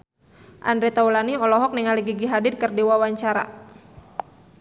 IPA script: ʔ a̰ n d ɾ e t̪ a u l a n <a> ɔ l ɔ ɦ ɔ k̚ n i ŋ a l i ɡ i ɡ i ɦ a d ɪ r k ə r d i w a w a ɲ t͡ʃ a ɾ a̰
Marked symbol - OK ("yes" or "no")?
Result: no